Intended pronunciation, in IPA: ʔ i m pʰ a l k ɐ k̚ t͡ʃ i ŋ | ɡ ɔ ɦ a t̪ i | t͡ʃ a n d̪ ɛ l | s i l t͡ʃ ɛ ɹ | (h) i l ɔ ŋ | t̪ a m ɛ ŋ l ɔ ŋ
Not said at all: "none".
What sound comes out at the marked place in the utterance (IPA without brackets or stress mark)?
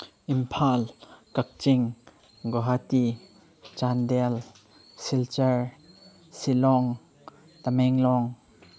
s